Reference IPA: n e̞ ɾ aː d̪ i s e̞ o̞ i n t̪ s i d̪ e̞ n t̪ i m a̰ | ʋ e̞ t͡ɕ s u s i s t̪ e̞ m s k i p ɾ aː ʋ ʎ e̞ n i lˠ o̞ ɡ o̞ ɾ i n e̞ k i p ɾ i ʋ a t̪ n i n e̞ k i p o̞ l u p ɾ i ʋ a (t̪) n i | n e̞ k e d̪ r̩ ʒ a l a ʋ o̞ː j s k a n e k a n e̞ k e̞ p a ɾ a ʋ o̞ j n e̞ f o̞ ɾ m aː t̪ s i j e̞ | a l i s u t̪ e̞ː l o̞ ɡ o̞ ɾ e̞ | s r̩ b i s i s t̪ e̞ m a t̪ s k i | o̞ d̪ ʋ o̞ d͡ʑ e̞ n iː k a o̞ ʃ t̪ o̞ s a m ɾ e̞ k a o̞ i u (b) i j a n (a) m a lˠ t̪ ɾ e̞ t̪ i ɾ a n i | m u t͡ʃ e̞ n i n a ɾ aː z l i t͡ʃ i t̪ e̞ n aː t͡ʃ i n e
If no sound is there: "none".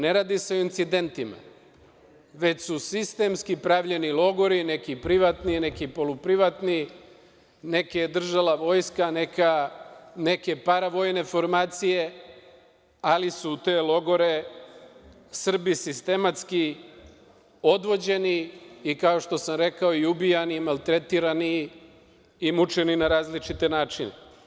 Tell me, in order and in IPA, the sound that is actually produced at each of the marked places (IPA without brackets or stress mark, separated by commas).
t̪, b, i